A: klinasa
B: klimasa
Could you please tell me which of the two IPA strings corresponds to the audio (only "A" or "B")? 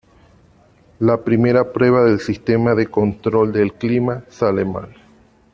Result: B